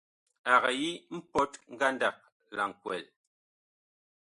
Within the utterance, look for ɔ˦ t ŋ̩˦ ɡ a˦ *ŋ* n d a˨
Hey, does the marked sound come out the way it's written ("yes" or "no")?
no